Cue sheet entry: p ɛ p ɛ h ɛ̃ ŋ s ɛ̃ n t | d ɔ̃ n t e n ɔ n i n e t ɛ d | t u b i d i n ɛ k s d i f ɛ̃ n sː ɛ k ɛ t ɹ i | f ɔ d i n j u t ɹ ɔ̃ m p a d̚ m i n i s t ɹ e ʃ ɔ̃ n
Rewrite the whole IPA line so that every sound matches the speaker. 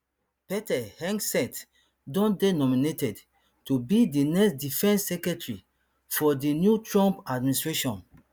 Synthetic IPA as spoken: p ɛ t ɛ h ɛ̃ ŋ s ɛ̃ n t | d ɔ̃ n d e n ɔ m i n e t ɛ d | t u b i d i n ɛ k s d i f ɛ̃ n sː ɛ k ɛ t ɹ i | f ɔ d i n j u t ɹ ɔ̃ m p a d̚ m i n i s t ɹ e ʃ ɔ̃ n